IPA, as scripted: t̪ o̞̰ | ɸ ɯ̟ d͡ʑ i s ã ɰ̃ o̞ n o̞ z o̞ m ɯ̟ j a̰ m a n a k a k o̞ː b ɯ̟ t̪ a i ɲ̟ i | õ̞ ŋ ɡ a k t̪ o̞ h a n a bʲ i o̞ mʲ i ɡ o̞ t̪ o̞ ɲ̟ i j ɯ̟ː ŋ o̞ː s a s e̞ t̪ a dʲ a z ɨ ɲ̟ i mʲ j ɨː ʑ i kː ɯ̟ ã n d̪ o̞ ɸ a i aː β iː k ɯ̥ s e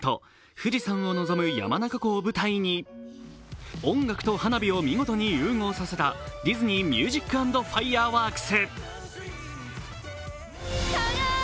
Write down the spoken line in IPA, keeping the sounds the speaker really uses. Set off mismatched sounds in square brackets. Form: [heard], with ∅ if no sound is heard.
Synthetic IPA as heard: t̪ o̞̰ | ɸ ɯ̟ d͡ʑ i s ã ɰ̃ o̞ n o̞ z o̞ m ɯ̟ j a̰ m a n a k a k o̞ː b ɯ̟ t̪ a i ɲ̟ i | õ̞ ŋ ɡ a k t̪ o̞ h a n a bʲ i o̞ mʲ i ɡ o̞ t̪ o̞ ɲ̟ i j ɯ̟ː ŋ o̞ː s a s e̞ t̪ a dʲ [i] z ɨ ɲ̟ i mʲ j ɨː ʑ i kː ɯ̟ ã n d̪ o̞ ɸ a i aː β [aː] k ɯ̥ s e